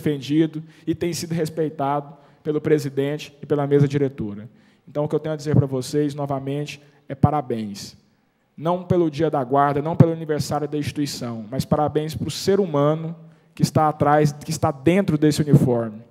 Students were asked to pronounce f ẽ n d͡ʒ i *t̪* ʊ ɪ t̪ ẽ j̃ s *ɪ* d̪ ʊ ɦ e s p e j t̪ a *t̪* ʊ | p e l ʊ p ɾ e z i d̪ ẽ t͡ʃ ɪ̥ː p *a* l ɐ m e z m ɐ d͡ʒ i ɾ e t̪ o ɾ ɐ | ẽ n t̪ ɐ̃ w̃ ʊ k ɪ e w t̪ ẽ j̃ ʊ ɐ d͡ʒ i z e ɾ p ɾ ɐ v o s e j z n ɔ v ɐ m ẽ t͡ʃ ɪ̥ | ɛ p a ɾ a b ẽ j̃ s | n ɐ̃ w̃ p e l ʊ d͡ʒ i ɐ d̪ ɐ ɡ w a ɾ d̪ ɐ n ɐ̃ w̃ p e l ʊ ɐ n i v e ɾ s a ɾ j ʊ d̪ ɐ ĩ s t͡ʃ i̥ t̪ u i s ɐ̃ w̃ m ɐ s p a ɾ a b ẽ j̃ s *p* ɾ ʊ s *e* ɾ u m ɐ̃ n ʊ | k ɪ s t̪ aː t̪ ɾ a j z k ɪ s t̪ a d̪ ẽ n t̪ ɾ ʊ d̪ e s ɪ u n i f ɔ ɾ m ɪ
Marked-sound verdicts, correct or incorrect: incorrect: d̪, incorrect: i, incorrect: d̪, incorrect: e, correct, correct

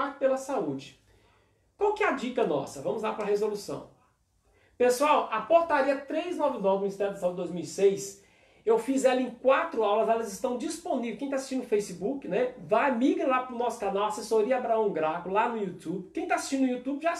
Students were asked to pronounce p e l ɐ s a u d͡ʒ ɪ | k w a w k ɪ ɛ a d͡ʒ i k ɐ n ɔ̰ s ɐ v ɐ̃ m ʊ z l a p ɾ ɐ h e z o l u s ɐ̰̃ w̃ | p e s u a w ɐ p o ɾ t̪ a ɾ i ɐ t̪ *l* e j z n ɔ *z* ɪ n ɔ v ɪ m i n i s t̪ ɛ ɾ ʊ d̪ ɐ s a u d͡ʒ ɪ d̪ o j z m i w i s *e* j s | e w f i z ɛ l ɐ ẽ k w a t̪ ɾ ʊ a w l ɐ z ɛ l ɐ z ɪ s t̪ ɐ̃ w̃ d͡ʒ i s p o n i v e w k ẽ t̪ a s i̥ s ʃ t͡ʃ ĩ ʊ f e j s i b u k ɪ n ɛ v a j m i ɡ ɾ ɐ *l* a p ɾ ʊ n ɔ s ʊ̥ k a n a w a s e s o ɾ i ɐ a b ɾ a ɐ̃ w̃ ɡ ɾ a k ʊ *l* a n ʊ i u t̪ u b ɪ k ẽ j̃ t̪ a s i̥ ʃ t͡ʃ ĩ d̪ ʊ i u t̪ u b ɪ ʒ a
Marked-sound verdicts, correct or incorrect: incorrect: ɾ, incorrect: v, correct, correct, correct

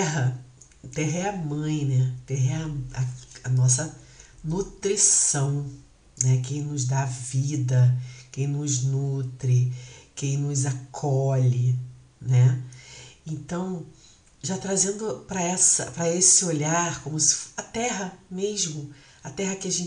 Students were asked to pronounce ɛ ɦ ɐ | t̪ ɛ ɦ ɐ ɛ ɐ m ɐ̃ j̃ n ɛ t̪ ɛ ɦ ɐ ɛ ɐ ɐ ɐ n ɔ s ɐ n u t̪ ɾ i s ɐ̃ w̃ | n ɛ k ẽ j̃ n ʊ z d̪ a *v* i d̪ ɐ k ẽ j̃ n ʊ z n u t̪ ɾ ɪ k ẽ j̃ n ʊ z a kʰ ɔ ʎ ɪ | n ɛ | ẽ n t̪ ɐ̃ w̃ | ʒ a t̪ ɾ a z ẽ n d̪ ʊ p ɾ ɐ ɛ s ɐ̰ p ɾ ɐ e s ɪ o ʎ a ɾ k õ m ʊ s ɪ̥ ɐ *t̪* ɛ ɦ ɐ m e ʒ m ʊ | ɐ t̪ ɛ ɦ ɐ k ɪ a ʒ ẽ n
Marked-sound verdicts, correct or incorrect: correct, correct

